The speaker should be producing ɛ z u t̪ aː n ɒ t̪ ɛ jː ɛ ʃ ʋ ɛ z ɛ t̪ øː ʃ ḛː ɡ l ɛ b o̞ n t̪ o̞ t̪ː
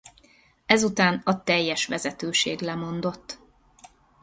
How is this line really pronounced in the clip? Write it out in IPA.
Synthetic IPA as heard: ɛ z u t̪ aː n ɒ t̪ ɛ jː ɛ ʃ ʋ ɛ z ɛ t̪ øː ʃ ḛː ɡ l ɛ m o̞ n d̪ o̞ t̪ː